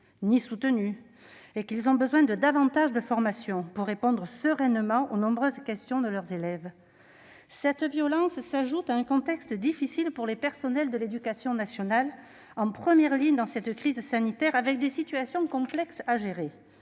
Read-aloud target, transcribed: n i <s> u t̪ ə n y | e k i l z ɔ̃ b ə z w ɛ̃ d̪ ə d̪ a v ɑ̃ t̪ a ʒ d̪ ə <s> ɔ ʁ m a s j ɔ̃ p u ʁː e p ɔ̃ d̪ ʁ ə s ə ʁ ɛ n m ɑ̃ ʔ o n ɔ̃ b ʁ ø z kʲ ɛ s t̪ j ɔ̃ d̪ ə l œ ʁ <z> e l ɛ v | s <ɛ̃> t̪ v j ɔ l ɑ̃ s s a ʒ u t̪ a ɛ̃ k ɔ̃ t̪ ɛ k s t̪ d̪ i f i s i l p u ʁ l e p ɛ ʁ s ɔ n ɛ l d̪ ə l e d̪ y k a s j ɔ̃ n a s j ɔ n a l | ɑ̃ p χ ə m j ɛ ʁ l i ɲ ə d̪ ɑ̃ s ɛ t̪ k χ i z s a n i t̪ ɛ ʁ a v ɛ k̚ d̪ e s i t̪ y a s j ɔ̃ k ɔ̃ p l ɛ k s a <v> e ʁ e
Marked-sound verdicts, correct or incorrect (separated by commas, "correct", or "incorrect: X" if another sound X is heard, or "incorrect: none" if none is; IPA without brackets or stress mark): correct, incorrect: f, correct, incorrect: ɛ, incorrect: ʒ